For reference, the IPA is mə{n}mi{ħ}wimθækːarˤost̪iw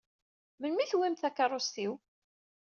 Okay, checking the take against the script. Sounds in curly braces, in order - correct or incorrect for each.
correct, incorrect

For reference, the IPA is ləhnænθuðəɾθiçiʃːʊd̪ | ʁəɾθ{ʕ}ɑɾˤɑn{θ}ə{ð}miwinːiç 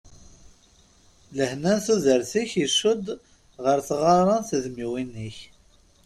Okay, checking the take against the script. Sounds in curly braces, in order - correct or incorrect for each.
incorrect, correct, correct

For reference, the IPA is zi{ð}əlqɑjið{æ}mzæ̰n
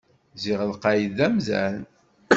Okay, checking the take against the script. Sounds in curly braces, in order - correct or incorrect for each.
incorrect, correct

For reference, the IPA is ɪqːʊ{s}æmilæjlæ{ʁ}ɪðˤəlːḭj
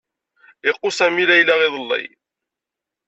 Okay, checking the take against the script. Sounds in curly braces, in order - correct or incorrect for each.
correct, correct

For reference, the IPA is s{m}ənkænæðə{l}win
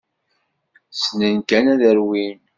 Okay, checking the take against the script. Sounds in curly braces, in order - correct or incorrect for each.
incorrect, incorrect

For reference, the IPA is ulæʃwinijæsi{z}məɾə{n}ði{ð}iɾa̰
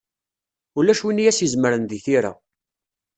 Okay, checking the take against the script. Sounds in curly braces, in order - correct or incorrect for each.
correct, correct, incorrect

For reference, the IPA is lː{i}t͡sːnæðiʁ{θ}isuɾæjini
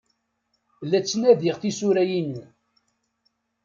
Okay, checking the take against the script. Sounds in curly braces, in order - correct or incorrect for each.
incorrect, correct

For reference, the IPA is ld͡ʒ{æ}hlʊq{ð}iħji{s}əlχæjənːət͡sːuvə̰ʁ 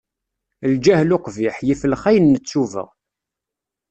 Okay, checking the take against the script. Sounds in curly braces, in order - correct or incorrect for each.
correct, incorrect, incorrect

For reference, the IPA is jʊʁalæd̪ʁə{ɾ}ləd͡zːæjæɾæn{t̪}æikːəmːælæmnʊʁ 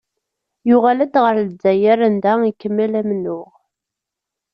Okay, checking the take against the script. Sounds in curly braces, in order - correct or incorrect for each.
correct, incorrect

